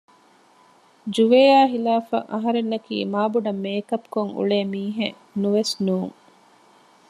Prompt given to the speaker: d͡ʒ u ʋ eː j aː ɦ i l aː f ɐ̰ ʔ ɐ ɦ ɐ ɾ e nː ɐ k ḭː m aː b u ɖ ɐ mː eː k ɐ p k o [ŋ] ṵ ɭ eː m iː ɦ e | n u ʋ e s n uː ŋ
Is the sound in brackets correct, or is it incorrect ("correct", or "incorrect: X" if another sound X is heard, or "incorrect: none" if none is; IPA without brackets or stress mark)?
correct